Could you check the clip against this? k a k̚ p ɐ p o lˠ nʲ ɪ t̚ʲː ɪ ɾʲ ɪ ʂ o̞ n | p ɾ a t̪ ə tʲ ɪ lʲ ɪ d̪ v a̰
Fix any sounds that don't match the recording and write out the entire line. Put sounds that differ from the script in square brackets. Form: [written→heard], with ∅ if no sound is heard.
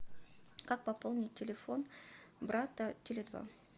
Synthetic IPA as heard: k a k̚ p ɐ p o lˠ nʲ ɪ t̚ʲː ɪ [ɾʲ→lʲ] ɪ [ʂ→f] o̞ n | [p→b] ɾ a t̪ ə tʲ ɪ lʲ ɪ d̪ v a̰